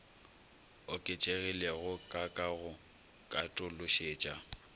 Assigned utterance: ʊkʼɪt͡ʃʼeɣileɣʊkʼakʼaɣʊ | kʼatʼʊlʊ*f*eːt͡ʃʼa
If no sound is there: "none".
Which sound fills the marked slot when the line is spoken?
ʃ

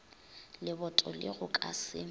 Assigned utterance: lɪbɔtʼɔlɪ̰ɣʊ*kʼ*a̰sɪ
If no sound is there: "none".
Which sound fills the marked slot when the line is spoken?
kʼ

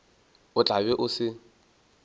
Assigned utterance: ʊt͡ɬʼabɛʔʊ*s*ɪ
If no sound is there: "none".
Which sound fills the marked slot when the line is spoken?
s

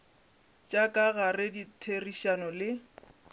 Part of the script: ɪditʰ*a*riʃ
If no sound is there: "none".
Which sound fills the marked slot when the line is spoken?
e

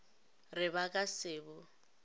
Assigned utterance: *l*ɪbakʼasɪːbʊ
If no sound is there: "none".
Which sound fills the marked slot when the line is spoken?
r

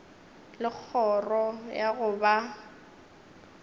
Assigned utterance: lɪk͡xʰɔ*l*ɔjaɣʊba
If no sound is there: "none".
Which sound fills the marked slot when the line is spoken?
r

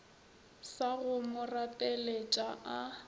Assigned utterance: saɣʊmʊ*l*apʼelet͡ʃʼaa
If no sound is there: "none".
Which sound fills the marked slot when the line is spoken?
r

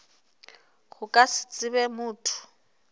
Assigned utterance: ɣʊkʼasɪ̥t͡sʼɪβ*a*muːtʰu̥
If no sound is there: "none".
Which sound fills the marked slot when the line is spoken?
ɛ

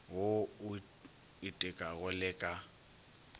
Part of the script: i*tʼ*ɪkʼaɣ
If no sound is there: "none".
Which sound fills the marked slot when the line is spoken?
tʼ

